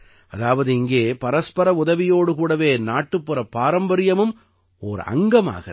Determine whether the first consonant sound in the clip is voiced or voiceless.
voiced